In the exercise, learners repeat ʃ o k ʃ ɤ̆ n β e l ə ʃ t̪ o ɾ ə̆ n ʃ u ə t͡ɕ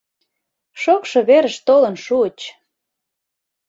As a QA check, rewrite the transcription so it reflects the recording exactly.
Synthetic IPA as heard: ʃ o k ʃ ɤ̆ β e ɾ ə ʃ t̪ o l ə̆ n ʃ u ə t͡ɕ